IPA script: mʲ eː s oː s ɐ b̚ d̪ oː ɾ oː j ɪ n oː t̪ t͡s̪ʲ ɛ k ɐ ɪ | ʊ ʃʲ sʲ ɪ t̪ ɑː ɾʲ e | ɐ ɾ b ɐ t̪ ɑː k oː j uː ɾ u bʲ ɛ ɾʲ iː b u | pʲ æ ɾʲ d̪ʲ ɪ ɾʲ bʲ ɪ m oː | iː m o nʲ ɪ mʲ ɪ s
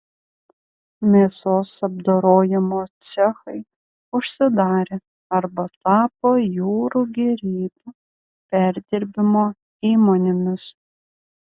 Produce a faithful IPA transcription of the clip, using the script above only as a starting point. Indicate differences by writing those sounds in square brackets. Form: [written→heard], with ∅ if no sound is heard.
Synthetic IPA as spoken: mʲ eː s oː s ɐ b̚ d̪ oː ɾ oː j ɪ [n→m] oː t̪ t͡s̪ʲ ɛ [k→x] ɐ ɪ | ʊ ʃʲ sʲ ɪ [t̪→d̪] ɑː ɾʲ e | ɐ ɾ b ɐ t̪ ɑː [k→p] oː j uː ɾ u [bʲ→ɡʲ] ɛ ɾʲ iː b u | pʲ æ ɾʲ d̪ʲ ɪ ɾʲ bʲ ɪ m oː | iː m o nʲ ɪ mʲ ɪ s